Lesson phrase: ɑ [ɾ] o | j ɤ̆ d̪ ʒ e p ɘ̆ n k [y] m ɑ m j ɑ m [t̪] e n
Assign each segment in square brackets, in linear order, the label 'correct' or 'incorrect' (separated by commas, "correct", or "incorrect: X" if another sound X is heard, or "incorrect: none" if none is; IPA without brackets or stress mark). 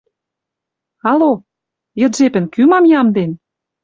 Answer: incorrect: l, correct, incorrect: d̪